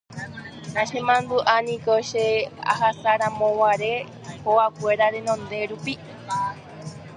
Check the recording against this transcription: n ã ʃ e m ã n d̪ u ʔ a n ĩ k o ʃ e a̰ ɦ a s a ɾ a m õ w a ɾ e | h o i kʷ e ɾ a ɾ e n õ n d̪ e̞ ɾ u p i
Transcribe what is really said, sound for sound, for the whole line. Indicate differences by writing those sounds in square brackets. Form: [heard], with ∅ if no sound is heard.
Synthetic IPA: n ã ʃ e m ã n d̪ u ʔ a n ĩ k o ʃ e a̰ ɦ a s a ɾ a m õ w a ɾ e | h o [a] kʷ e ɾ a ɾ e n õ n d̪ e̞ ɾ u p i